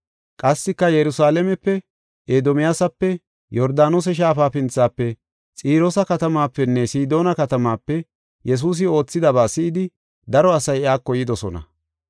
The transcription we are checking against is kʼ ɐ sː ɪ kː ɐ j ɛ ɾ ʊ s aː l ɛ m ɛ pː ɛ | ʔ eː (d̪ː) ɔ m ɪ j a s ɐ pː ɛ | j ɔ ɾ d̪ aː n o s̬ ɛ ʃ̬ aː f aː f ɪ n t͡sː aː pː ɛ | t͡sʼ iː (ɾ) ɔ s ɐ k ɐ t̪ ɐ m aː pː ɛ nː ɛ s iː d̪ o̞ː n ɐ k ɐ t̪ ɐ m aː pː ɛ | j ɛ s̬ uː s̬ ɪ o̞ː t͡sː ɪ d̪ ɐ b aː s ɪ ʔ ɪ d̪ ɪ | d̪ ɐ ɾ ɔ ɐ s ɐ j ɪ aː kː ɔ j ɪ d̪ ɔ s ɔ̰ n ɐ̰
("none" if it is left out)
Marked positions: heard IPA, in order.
d̪, ɾ

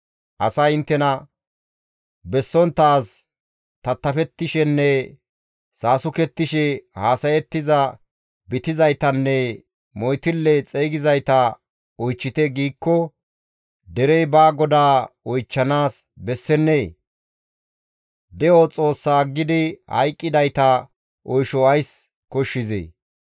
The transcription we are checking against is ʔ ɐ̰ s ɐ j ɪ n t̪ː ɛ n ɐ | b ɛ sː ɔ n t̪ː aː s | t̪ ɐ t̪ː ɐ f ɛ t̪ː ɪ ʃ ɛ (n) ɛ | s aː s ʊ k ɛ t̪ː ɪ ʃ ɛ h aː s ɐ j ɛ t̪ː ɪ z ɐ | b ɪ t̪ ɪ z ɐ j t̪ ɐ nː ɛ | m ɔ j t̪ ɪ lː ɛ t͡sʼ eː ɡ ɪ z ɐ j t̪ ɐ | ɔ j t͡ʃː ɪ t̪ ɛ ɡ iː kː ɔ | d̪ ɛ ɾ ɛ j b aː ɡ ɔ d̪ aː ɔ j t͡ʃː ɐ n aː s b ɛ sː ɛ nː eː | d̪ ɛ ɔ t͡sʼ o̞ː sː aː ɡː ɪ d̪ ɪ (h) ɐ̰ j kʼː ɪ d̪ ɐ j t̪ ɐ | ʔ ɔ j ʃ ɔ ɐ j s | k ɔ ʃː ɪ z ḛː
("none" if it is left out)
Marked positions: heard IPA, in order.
nː, h

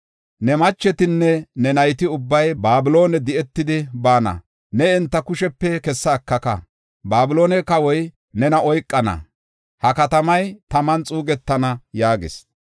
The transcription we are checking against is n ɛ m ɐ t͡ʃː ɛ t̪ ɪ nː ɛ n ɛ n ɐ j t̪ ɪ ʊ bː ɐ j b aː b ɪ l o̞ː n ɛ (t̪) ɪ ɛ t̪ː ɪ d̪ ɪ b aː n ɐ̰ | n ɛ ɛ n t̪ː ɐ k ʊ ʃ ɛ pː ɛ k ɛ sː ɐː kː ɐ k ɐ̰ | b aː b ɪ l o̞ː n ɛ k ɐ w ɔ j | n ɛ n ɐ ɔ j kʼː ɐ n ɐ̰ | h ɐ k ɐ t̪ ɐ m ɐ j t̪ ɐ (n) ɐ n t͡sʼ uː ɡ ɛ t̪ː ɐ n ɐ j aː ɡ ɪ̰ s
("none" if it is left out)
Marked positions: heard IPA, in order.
d̪, m

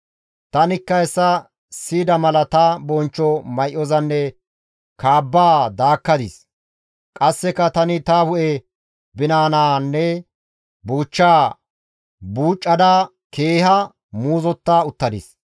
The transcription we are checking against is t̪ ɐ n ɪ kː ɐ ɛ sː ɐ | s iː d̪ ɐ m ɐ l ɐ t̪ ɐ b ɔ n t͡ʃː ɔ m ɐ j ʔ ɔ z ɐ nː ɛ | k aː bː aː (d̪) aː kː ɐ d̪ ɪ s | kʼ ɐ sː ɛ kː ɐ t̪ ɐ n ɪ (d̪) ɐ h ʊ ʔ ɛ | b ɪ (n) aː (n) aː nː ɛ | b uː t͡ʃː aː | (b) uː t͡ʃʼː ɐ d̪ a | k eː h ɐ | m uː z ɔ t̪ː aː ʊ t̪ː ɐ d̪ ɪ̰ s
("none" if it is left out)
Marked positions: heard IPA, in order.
d̪, t̪, n, n, b

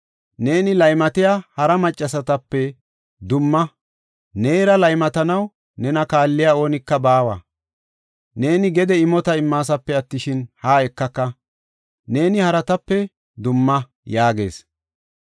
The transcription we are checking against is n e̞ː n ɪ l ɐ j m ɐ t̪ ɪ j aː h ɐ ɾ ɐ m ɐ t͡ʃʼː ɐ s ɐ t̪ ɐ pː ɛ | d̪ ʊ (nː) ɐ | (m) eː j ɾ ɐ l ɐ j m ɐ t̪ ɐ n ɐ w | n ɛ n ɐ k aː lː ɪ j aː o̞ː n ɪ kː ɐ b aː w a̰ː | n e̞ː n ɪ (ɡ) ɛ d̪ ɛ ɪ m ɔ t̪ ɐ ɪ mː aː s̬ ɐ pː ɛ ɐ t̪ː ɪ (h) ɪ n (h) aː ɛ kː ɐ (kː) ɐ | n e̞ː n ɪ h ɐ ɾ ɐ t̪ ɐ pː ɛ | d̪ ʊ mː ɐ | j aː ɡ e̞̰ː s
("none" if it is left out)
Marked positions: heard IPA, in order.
mː, n, ɡ, ʃ, h, kː

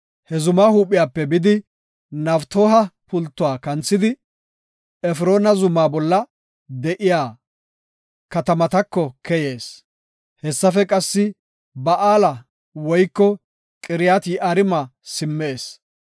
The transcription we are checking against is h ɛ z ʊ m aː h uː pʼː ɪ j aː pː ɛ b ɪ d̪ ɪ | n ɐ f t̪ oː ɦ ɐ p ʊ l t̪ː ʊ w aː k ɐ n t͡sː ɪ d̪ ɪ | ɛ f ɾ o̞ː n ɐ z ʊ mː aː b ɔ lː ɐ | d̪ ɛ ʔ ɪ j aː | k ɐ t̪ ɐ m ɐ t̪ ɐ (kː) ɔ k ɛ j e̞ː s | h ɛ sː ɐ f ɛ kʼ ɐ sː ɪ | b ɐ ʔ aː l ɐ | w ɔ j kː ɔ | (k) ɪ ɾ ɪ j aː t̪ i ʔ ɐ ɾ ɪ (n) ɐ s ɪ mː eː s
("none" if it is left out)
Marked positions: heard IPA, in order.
kː, kʼ, m

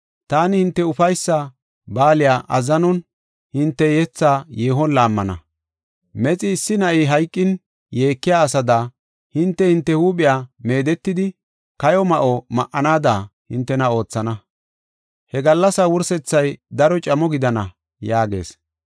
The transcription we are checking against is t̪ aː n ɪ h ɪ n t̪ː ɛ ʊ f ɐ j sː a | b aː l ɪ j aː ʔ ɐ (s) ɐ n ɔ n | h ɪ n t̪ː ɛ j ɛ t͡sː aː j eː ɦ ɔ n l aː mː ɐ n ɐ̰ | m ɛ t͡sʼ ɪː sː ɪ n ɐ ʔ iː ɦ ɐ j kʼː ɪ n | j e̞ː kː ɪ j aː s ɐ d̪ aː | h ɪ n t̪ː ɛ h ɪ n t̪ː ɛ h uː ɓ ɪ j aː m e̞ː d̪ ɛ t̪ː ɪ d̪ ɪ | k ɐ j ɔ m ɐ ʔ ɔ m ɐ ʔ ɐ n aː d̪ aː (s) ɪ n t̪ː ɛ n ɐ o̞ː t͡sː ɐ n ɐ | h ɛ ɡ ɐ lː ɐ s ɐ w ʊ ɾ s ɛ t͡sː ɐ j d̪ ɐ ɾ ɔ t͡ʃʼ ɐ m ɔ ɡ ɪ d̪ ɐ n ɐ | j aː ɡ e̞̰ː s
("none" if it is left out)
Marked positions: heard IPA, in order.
z, h

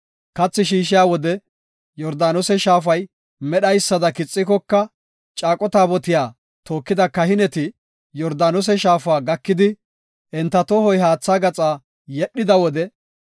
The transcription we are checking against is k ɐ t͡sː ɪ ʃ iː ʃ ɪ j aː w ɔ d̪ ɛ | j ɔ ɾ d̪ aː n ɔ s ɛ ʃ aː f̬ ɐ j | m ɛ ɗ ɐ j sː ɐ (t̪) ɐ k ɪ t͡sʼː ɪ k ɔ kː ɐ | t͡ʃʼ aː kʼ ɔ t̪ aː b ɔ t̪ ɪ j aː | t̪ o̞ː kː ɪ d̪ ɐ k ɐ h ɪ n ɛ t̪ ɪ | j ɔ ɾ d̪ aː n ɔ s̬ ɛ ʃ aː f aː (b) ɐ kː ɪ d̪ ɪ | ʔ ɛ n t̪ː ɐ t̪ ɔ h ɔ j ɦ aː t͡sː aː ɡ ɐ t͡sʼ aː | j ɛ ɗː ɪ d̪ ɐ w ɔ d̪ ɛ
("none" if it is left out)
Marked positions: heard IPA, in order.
d̪, ɡ

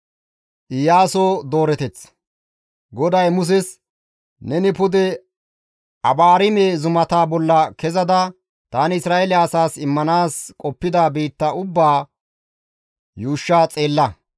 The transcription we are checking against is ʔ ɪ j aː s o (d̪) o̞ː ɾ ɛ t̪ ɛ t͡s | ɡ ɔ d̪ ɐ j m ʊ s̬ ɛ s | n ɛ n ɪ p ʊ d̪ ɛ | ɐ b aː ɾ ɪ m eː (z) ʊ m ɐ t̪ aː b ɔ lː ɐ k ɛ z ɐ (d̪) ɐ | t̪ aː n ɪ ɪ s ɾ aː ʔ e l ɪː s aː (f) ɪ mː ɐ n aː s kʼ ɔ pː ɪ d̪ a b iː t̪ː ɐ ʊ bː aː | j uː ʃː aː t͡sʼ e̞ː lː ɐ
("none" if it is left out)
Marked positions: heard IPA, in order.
d̪, z, d̪, s

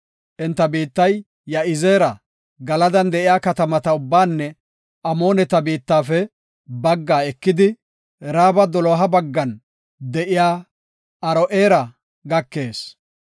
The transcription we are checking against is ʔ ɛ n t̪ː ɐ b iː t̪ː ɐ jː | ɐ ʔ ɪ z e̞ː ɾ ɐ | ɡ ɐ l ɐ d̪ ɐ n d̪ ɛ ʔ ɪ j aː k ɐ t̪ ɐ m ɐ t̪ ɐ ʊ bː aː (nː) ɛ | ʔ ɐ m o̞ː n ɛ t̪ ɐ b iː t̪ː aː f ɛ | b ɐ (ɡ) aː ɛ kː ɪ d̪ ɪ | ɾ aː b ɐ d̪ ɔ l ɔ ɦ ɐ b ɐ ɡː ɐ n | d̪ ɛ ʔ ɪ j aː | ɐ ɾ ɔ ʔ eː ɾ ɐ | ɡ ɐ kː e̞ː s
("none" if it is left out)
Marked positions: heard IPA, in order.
nː, ɡː

